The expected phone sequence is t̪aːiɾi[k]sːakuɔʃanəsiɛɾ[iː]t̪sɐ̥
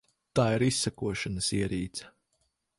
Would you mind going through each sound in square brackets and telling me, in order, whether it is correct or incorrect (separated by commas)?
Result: incorrect, correct